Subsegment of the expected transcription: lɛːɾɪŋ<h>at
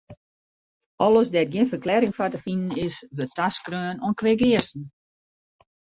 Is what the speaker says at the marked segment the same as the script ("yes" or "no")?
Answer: no